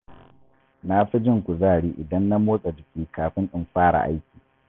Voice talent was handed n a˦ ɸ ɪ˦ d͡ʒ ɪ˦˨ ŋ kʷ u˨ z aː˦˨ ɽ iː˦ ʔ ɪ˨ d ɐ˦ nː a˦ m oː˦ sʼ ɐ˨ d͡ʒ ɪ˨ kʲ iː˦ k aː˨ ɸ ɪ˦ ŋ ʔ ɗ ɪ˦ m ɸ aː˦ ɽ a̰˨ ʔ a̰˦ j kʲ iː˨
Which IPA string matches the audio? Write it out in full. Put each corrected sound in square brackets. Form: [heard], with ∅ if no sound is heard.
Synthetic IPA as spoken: n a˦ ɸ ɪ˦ d͡ʒ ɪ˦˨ ŋ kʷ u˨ z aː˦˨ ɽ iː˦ ʔ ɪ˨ d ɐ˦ nː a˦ m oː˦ sʼ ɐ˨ d͡ʒ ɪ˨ kʲ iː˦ k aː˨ ɸ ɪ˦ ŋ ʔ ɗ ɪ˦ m ɸ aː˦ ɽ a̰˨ ʔ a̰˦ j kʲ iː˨

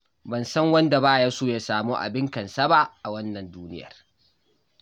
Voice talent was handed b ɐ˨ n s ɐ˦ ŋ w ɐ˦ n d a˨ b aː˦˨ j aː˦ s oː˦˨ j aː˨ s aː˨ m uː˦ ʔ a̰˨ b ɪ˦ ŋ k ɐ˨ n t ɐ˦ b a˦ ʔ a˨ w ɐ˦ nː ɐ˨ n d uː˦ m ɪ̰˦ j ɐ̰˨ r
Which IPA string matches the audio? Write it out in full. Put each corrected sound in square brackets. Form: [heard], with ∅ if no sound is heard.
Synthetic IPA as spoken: b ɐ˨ n s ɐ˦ ŋ w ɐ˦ n d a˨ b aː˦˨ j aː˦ s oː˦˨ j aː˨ s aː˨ m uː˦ ʔ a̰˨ b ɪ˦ ŋ k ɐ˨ n [s] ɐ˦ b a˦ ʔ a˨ w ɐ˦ nː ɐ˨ n d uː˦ [n] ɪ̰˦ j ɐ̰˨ r

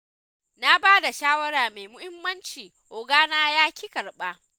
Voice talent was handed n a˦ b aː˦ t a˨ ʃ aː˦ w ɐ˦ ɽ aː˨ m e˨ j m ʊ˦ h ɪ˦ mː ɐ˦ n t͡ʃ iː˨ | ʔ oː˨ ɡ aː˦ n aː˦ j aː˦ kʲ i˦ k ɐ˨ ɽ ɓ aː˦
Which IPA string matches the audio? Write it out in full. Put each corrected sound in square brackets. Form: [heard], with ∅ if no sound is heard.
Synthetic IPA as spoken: n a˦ b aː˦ [d] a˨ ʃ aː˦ w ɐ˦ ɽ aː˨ m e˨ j m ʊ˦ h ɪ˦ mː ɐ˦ n t͡ʃ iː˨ | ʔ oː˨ ɡ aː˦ n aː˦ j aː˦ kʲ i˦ k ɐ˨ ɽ ɓ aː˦

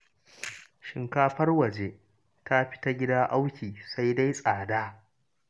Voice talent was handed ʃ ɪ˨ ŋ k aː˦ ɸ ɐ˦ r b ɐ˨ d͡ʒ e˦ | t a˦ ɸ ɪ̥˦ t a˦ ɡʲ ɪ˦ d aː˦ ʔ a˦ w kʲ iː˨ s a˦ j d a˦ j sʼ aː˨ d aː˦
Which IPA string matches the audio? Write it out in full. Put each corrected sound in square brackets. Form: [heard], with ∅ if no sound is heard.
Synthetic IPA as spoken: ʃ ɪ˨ ŋ k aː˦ ɸ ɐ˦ r [w] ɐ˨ d͡ʒ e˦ | t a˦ ɸ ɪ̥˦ t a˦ ɡʲ ɪ˦ d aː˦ ʔ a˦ w kʲ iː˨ s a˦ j d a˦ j sʼ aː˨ d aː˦

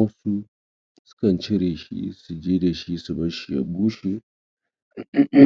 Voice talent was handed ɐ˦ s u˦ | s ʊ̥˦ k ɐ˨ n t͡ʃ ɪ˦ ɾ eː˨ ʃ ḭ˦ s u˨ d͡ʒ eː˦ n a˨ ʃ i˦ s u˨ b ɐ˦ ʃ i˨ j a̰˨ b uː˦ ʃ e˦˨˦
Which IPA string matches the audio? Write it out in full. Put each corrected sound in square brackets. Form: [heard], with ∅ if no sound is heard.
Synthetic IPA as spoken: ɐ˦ s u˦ | s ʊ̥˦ k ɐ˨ n t͡ʃ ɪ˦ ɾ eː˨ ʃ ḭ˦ s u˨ d͡ʒ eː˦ [d] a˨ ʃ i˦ s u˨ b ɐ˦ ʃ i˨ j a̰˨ b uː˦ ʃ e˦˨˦

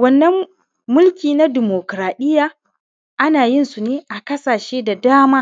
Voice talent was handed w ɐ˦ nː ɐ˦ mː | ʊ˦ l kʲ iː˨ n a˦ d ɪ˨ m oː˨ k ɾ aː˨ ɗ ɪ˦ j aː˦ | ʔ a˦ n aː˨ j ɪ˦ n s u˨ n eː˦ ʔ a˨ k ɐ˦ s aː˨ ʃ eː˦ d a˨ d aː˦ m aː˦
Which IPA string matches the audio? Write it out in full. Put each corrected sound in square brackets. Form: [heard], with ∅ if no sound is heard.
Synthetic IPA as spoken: w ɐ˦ nː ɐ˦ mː | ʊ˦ l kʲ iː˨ n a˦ d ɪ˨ m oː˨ k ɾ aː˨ ɗ ɪ˦ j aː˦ | ʔ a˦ n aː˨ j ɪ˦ n s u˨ n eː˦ ʔ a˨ k ɐ˦ s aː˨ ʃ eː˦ d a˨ d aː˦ m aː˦

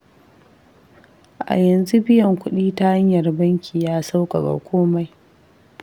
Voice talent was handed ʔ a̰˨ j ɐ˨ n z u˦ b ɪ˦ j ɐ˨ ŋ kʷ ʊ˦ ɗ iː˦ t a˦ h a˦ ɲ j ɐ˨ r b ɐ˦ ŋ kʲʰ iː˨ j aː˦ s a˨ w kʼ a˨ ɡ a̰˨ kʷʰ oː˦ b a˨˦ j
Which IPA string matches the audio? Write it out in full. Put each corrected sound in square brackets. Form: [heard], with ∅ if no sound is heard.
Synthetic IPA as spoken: ʔ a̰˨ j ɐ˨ n z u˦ b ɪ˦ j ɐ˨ ŋ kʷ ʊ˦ ɗ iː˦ t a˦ h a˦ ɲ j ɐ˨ r b ɐ˦ ŋ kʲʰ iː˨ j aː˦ s [a˦] w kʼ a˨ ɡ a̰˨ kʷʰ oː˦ [m] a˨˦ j

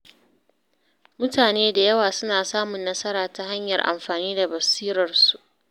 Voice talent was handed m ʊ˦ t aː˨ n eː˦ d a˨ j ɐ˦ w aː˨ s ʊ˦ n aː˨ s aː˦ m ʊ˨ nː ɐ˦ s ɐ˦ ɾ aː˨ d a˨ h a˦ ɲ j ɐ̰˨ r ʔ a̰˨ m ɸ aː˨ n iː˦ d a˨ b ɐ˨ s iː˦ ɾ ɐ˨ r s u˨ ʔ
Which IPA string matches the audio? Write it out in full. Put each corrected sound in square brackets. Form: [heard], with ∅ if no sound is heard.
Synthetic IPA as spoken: m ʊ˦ t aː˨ n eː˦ d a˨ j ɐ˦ w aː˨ s ʊ˦ n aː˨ s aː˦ m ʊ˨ nː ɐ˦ s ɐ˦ ɾ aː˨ [t] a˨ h a˦ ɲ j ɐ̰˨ r ʔ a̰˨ m ɸ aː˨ n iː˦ d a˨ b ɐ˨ s iː˦ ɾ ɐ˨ r s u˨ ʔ

